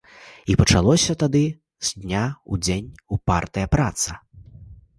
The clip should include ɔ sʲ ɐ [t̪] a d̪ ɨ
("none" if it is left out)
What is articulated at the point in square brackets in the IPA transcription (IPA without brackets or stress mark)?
t̪